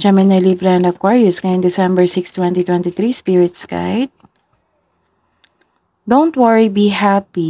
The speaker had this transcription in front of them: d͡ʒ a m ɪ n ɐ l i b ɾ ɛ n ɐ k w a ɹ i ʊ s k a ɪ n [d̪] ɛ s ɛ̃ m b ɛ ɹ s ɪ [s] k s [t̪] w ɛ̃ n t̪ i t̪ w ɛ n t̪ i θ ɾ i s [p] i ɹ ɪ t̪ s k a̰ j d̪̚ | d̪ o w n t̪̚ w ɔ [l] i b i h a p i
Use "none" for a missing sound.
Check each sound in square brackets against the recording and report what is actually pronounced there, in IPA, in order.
d̪, none, t̪, p, ɹ

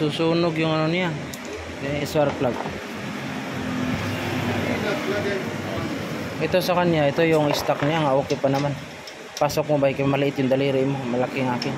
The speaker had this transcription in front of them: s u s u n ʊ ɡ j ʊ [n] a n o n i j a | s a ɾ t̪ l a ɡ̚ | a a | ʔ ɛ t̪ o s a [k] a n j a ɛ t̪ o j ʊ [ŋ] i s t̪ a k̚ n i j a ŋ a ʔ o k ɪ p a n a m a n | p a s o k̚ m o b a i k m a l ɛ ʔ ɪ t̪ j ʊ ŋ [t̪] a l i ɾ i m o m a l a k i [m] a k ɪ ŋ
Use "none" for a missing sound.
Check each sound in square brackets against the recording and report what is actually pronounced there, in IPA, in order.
ŋ, k, ŋ, d̪, ŋ

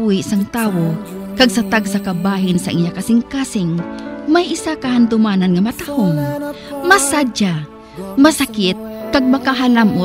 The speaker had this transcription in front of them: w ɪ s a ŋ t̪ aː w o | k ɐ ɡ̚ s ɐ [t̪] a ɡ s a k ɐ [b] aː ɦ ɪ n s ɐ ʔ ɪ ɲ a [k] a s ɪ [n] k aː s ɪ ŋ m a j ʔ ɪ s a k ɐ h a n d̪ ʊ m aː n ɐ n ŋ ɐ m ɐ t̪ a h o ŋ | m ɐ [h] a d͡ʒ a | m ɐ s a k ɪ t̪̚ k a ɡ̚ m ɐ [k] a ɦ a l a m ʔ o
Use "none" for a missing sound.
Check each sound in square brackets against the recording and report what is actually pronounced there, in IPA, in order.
t̪, b, k, ŋ, s, k

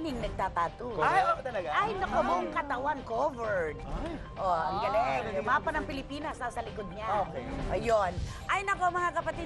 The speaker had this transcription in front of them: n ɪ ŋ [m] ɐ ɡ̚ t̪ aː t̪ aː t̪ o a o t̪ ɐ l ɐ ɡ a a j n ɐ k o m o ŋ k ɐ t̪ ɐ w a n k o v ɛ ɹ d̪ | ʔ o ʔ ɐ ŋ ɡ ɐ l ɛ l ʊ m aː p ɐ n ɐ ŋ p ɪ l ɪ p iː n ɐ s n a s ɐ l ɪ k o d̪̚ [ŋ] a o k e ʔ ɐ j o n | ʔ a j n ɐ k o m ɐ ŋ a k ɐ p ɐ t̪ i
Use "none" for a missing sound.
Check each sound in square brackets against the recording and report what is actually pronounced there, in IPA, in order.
n, ɲ

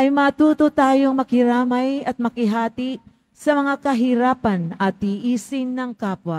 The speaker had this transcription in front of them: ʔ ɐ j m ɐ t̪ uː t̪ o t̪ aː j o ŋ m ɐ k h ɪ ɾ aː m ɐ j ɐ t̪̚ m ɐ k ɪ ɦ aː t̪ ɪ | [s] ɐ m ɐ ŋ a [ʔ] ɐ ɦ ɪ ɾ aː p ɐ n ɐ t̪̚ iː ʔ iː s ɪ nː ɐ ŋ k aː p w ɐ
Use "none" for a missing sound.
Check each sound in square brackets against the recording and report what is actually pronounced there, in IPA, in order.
s, k

